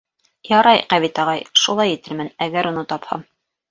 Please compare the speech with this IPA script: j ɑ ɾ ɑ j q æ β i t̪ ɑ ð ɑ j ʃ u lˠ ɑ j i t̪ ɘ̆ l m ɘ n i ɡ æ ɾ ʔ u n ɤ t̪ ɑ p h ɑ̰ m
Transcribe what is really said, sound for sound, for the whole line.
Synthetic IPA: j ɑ ɾ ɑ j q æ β i t̪ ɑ ʁ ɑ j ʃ u lˠ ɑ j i t̪ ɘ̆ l m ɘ n æ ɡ æ ɾ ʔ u n ɤ t̪ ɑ p h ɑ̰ m